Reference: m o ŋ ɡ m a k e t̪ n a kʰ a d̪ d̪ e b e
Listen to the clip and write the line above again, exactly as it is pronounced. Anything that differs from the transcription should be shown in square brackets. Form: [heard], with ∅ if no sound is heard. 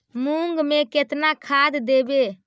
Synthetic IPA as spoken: m [u] ŋ ɡ m [e] k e t̪ n a kʰ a d̪ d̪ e b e